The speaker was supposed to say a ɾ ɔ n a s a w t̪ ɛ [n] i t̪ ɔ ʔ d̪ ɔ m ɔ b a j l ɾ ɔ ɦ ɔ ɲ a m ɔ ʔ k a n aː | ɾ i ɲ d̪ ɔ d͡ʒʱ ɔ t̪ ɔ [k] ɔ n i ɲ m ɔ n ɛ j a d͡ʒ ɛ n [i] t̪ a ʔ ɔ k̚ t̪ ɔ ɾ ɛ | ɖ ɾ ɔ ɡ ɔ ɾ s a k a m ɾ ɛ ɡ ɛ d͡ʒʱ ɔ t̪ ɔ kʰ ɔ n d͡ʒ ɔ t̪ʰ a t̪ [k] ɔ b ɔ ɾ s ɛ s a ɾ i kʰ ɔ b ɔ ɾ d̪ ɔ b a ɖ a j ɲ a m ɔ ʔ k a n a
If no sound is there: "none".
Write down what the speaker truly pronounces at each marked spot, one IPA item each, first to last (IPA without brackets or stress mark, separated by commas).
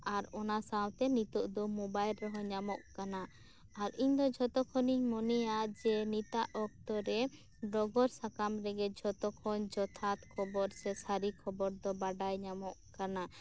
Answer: n, kʰ, i, kʰ